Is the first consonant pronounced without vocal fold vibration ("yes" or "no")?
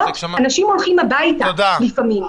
no